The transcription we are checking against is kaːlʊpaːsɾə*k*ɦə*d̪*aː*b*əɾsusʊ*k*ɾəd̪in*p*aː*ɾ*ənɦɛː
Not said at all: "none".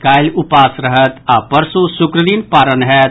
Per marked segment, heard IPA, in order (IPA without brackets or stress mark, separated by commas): none, t̪, p, k, p, ɾ